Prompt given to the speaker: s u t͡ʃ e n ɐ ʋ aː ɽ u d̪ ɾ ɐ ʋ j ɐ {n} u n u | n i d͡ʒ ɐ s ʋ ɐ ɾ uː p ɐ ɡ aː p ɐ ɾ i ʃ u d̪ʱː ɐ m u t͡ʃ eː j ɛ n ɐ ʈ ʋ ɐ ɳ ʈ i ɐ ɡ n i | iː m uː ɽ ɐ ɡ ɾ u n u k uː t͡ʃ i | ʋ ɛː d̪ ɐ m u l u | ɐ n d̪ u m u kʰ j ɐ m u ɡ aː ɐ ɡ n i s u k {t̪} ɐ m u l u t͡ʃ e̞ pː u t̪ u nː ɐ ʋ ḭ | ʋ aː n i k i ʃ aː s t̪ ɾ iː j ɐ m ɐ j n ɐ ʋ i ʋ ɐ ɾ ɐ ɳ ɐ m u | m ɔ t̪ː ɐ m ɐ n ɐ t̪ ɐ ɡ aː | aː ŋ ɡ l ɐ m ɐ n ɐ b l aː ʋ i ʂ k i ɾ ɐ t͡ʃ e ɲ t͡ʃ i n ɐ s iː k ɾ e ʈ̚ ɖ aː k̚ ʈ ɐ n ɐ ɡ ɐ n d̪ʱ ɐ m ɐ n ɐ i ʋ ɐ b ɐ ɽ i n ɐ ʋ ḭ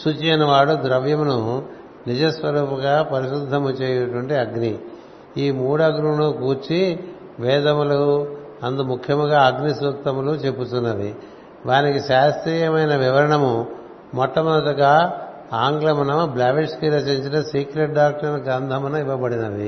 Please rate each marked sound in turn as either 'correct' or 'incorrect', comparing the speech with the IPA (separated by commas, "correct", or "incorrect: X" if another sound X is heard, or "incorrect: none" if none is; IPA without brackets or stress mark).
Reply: incorrect: m, correct